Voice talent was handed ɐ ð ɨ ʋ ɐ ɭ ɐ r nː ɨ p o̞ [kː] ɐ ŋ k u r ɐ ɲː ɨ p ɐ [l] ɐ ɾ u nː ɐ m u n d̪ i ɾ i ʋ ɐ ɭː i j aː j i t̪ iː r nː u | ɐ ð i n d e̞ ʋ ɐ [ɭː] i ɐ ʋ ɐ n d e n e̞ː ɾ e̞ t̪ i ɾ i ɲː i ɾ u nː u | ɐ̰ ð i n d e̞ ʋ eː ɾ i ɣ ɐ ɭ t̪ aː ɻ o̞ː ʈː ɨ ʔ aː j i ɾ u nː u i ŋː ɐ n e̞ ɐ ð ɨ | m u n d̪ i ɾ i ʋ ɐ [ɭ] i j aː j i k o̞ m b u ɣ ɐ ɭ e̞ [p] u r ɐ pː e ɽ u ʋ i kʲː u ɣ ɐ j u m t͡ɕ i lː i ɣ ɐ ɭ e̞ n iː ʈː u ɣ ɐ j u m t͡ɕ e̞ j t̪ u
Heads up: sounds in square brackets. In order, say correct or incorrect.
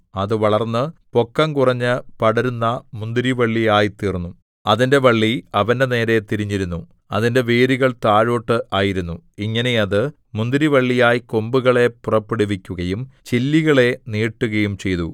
correct, incorrect: ɽ, correct, incorrect: ɭː, correct

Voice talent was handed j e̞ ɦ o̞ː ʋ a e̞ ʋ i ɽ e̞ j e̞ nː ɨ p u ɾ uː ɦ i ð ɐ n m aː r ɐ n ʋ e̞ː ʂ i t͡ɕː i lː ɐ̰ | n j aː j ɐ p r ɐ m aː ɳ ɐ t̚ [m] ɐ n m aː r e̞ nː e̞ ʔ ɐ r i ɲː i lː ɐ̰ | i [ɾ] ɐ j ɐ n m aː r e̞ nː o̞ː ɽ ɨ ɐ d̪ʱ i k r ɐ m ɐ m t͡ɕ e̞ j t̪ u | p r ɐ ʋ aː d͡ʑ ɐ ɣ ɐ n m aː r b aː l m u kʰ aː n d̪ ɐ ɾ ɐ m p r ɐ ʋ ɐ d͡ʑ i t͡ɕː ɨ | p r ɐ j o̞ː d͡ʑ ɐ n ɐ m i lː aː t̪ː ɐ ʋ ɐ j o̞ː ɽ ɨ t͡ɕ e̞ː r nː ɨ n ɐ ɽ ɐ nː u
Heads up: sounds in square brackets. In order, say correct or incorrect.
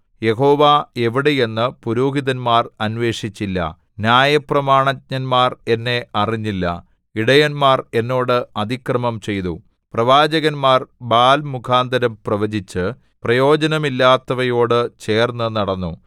incorrect: ɲ, incorrect: ɽ

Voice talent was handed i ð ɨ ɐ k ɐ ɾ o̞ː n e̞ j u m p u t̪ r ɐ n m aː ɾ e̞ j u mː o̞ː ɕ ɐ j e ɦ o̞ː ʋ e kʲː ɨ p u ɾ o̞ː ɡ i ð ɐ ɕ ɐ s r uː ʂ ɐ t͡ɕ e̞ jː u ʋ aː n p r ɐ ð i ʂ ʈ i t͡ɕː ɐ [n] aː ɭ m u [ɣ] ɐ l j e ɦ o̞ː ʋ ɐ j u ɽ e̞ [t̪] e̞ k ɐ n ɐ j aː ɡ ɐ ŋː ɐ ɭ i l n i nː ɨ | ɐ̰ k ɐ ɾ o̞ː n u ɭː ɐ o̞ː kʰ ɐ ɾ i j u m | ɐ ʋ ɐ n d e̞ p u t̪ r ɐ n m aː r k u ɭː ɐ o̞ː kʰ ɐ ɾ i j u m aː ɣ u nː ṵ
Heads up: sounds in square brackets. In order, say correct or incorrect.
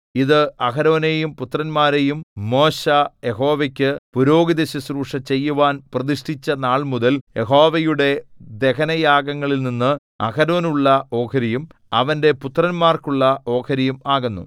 correct, incorrect: ð, incorrect: d̪

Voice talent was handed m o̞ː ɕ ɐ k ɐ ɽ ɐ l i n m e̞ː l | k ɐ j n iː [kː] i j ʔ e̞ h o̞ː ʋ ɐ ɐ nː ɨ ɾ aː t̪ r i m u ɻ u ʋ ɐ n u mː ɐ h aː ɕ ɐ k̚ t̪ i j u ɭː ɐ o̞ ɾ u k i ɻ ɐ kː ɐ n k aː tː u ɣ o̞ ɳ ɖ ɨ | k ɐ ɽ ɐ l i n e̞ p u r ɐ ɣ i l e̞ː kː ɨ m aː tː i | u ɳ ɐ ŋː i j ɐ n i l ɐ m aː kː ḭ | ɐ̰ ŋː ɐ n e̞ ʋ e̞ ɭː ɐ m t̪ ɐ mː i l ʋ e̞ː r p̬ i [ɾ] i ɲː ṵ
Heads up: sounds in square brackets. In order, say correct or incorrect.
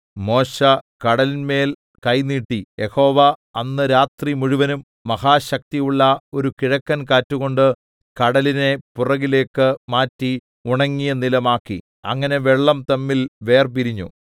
incorrect: ʈː, correct

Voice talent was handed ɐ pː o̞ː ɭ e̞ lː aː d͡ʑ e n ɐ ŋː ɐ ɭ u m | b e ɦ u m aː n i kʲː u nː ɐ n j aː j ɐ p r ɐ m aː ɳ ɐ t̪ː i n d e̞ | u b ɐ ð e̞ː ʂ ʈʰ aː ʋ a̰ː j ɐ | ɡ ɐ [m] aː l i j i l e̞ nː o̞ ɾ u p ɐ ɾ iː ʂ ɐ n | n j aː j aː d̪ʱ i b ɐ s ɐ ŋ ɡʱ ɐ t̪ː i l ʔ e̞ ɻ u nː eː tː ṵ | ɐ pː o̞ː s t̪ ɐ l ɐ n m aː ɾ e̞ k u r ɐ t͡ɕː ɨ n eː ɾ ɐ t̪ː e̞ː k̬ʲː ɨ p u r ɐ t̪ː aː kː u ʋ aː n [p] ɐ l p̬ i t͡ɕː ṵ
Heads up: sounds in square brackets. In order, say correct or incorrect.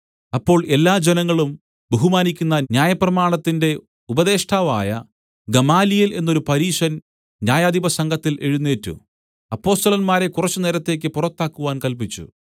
correct, incorrect: k

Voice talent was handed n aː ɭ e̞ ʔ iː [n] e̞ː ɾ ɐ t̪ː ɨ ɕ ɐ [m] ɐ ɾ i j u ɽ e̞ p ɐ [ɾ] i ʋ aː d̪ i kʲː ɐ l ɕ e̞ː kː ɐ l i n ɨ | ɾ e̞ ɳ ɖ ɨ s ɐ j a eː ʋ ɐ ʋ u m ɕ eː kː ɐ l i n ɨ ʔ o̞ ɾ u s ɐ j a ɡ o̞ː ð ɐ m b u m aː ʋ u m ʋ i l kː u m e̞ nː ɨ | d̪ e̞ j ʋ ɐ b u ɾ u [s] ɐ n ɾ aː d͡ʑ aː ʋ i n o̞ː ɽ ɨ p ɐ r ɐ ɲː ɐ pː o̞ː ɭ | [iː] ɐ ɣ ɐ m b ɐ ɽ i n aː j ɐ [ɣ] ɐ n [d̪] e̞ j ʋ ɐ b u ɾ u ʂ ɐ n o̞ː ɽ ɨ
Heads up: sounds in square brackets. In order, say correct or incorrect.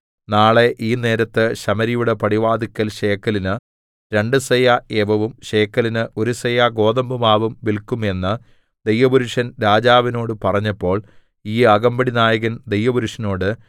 correct, correct, incorrect: ɽ, incorrect: ʂ, correct, correct, correct

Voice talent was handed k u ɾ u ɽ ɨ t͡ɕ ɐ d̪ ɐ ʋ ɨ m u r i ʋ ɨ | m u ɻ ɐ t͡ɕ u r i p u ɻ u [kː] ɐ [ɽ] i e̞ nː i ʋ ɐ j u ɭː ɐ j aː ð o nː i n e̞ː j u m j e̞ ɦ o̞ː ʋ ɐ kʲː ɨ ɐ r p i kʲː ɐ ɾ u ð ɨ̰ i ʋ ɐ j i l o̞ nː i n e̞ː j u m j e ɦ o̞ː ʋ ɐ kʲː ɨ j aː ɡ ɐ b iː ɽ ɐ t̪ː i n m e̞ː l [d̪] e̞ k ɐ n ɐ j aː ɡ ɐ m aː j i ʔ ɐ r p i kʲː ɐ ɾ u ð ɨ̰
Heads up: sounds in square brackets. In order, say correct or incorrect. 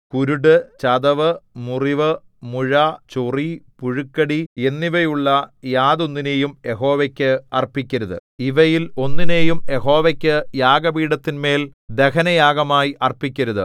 correct, correct, correct

